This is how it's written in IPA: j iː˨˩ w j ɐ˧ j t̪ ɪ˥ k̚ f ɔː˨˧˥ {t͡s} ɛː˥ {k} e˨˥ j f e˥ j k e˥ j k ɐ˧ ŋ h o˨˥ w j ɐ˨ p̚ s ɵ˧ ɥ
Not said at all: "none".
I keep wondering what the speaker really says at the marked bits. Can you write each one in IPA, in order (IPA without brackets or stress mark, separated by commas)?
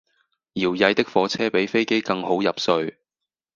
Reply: t͡sʰ, p